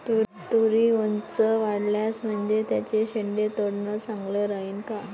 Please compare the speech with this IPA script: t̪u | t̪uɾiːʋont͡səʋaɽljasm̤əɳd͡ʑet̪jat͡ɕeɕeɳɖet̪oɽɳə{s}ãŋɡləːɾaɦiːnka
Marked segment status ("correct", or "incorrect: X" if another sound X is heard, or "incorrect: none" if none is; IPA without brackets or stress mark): correct